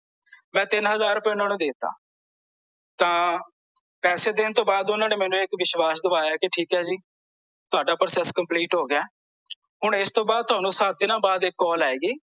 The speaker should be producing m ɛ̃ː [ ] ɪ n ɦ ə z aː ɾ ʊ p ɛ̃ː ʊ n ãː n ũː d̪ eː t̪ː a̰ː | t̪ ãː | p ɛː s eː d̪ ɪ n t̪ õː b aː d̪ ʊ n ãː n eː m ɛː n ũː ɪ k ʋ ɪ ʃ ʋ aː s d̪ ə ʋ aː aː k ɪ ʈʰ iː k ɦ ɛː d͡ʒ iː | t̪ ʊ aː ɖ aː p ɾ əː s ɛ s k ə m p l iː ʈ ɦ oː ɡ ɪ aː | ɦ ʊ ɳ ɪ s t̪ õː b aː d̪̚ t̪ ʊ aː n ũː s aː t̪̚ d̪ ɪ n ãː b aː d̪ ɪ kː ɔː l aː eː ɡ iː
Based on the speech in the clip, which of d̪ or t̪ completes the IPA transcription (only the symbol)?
t̪